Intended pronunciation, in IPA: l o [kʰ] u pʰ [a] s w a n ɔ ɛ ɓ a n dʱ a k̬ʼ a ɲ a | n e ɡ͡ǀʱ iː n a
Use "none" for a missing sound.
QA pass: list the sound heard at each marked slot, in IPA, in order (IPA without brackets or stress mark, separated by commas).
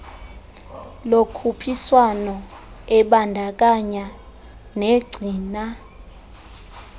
kʰ, i